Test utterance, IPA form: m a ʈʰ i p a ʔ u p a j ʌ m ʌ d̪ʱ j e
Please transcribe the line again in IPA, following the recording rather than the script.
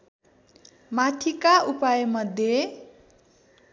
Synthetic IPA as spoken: m a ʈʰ i k a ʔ u p a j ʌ m ʌ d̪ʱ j e